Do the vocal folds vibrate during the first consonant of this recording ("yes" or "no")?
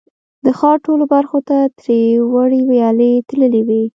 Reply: yes